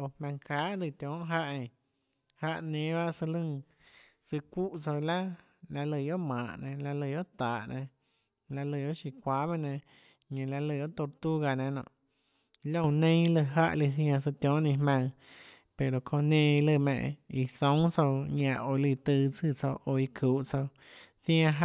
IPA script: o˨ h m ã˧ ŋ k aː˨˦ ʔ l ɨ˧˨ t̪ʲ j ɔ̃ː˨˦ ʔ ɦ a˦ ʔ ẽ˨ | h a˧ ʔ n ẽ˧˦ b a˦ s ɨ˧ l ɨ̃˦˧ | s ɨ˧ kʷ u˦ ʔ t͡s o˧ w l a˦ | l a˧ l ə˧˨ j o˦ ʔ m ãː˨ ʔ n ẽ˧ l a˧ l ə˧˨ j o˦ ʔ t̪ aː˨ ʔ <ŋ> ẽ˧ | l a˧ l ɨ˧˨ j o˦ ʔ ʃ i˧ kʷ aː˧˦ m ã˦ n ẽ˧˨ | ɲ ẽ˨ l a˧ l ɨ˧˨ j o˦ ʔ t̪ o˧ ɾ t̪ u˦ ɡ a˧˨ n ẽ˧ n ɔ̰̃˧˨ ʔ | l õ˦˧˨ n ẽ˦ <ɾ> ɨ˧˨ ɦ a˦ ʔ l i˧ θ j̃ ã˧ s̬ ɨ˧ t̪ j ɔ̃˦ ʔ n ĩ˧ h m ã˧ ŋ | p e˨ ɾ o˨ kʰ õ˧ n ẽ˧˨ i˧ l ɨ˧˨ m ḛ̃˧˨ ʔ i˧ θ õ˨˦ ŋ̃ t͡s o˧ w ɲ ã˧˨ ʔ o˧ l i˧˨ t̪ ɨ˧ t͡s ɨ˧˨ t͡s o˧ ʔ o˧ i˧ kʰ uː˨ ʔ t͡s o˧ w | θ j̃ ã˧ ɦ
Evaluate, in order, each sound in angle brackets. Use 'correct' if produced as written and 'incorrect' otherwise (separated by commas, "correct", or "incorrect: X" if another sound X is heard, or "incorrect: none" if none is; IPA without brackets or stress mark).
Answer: incorrect: n, incorrect: l